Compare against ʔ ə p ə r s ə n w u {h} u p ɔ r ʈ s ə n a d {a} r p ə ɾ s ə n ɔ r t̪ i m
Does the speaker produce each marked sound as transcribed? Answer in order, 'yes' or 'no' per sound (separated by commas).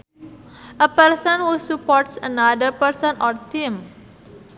no, no